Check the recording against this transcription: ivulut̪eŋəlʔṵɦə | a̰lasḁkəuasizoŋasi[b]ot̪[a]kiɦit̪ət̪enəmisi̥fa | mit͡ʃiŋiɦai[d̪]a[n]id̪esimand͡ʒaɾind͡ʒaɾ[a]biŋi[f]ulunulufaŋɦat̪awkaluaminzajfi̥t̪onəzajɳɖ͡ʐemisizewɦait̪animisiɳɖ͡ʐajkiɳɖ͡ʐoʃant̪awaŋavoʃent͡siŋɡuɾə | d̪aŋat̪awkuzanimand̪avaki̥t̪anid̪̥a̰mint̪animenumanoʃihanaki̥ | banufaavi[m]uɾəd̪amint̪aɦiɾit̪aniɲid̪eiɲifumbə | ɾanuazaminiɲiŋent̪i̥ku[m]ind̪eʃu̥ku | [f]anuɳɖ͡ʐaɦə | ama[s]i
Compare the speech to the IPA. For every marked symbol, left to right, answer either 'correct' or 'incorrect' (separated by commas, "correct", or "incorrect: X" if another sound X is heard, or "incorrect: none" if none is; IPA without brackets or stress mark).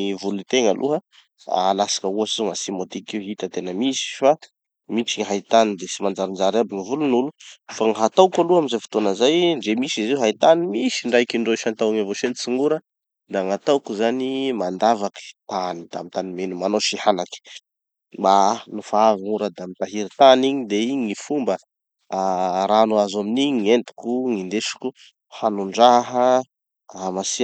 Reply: incorrect: m, incorrect: i, incorrect: t̪, correct, correct, incorrect: v, incorrect: ŋ, incorrect: ŋ, incorrect: h, correct